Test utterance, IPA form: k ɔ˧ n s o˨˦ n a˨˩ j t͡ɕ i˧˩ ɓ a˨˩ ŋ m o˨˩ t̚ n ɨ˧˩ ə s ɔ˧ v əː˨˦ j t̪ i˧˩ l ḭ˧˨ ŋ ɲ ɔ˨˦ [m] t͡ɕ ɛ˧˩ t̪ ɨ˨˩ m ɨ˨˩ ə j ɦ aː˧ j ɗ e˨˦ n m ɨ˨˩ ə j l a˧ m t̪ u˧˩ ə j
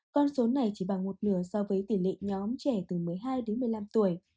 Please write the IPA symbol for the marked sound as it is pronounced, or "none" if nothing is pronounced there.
m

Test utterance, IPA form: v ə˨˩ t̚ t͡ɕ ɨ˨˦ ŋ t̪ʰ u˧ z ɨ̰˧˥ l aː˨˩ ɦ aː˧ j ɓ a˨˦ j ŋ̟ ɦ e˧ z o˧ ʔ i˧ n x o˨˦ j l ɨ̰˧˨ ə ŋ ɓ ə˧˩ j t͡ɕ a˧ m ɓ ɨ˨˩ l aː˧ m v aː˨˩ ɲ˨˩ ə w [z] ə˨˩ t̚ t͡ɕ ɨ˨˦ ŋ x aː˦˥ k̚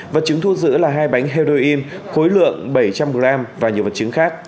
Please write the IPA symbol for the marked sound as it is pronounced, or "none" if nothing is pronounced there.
v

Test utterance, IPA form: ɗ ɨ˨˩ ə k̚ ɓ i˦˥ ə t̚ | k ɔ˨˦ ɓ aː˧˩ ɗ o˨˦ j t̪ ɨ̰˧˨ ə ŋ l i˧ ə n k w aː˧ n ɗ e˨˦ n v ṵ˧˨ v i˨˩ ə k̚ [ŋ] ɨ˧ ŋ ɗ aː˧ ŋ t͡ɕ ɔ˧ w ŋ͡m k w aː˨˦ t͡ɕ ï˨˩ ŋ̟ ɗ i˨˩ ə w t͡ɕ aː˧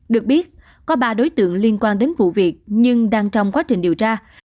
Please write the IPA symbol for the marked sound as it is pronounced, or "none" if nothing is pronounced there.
ɲ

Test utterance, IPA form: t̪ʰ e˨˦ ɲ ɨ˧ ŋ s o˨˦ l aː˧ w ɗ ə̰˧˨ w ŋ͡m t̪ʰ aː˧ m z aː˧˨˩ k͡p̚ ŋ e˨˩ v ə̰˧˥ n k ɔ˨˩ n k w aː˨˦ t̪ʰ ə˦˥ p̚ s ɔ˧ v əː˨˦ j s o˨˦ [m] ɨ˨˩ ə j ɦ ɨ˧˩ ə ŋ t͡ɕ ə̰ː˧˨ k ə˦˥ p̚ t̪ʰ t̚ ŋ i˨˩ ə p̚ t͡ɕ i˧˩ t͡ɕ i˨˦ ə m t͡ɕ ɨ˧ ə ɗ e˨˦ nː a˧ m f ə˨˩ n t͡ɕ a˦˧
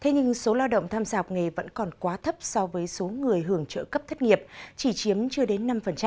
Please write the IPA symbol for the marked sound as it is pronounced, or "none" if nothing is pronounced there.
ŋ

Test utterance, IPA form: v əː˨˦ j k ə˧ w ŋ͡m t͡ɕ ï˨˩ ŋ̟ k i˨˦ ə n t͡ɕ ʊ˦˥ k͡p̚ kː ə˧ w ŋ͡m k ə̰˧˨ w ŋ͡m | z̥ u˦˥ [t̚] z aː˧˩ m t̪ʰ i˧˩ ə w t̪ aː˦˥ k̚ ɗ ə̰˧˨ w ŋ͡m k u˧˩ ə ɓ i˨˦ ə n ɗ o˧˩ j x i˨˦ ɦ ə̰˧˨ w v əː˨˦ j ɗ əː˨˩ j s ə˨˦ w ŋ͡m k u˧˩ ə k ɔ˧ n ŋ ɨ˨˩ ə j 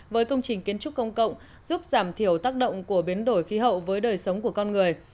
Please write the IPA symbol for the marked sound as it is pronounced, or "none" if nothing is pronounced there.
p̚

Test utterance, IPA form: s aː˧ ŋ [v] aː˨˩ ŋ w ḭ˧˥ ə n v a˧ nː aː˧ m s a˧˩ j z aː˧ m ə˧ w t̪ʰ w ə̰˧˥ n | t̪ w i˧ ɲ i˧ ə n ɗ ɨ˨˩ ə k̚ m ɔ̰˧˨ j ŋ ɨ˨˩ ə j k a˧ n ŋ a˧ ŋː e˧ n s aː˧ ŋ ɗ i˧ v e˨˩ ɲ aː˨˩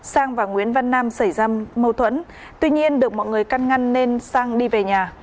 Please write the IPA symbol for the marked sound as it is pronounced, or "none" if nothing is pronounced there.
v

